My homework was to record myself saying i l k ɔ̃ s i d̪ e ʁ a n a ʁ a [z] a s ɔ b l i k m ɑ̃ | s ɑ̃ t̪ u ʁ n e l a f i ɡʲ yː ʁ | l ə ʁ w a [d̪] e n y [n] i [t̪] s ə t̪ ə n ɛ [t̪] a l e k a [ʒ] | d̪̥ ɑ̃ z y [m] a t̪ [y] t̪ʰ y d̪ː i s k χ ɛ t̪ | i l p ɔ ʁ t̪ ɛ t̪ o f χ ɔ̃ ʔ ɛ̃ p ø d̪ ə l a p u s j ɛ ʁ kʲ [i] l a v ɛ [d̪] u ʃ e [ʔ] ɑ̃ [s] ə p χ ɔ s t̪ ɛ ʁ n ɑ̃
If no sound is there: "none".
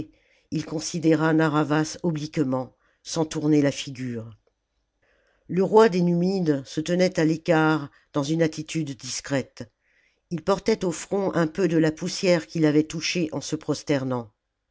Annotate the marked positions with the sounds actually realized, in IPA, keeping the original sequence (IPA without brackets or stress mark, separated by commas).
v, d̪, m, d̪, t̪, ʁ, n, i, i, t̪, ʔ, s